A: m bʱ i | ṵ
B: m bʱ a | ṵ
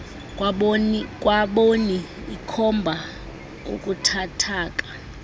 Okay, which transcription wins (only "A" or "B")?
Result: B